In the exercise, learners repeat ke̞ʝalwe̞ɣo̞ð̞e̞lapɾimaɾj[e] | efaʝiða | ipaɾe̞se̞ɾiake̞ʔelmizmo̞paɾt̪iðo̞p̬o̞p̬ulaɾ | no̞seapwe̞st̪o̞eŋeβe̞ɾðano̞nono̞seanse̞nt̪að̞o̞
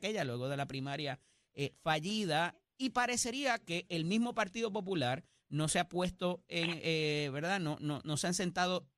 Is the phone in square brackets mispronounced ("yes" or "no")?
yes